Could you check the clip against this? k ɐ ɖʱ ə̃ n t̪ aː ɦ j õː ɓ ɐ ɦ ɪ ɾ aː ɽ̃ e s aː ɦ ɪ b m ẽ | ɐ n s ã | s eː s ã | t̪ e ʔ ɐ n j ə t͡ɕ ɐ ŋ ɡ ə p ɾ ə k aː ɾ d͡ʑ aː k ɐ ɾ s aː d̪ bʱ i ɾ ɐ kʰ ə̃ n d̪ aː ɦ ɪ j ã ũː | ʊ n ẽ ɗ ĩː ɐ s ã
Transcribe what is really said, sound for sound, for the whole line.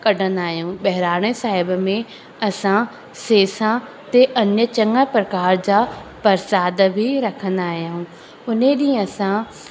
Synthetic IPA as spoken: k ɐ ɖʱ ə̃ n d̪ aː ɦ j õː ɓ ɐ ɦ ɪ ɾ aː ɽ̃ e s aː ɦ ɪ b m ẽ | ɐ s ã | s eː s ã | t̪ e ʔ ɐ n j ə t͡ɕ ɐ ŋ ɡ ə p ɾ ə k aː ɾ d͡ʑ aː p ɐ ɾ s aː d̪ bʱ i ɾ ɐ kʰ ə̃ n d̪ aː ɦ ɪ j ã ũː | ʊ n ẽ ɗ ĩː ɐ s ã